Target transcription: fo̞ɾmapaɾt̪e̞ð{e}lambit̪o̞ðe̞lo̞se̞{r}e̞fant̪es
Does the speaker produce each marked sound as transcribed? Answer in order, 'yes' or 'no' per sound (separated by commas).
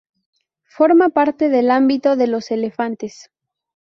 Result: yes, no